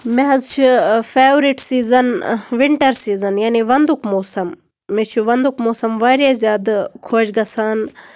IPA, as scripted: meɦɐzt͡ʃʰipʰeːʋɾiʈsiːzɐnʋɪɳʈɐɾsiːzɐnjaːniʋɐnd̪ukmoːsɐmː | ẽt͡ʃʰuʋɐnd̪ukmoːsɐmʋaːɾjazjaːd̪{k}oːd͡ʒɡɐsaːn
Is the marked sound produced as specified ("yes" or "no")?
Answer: no